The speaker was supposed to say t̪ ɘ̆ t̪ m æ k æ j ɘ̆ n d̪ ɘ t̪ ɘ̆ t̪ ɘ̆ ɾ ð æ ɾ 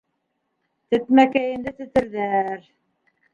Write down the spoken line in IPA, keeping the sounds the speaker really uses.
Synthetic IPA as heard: t̪ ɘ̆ t̪ m æ k æ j ɘ̆ n d̪ ɘ t̪ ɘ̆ t̪ ɘ̆ ɾ ð æ ɾ